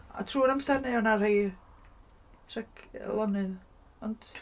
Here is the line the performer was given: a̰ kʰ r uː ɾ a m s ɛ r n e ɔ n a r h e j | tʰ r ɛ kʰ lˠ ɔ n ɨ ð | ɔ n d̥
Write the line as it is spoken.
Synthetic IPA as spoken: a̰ tʰ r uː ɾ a m s ɛ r n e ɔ n a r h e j | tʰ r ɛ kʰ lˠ ɔ n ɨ ð | ɔ n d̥